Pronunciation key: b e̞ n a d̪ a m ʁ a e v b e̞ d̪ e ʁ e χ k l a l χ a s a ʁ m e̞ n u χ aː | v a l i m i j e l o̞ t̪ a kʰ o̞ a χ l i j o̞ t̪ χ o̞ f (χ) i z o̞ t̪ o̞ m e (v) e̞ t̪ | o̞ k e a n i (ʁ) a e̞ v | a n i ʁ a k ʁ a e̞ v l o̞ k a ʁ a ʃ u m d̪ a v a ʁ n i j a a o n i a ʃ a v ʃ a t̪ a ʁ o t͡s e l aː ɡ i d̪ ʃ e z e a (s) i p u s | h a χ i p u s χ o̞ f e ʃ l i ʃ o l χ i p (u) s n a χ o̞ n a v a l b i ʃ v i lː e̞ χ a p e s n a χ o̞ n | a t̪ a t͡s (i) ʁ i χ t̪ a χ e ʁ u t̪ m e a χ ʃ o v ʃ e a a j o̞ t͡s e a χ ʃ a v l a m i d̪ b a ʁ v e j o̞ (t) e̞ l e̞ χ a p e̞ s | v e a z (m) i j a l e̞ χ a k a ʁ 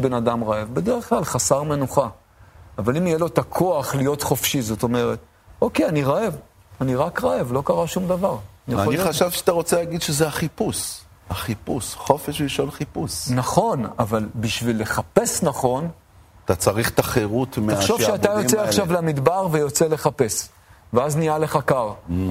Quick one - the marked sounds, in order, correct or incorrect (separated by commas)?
incorrect, incorrect, correct, incorrect, correct, incorrect, incorrect, incorrect